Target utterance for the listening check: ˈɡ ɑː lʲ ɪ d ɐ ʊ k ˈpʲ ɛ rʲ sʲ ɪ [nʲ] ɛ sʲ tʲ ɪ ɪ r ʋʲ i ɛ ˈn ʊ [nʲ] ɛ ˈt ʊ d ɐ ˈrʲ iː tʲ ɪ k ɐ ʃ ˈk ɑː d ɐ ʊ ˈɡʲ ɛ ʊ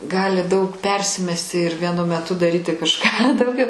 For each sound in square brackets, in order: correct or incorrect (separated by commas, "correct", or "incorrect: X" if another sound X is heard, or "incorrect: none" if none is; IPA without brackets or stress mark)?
incorrect: mʲ, incorrect: mʲ